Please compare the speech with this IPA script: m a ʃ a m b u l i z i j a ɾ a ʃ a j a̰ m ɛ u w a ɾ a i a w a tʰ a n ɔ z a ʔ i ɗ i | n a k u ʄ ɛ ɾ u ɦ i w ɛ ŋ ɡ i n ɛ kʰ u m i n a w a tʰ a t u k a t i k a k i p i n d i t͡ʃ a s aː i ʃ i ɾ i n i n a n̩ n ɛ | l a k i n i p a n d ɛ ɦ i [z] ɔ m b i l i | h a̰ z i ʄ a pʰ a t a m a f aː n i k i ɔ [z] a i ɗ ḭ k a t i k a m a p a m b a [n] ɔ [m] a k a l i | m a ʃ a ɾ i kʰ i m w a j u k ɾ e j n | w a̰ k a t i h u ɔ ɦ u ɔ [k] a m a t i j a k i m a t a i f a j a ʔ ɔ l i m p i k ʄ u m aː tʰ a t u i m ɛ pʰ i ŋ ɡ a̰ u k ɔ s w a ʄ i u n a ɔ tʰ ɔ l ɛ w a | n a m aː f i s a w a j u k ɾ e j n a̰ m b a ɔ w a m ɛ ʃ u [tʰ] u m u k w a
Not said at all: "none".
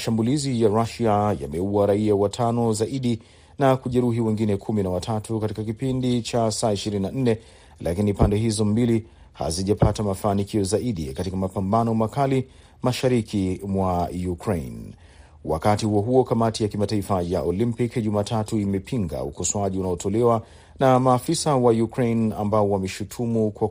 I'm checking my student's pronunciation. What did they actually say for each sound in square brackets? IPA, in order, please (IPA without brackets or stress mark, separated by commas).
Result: z, z, n, m, k, tʰ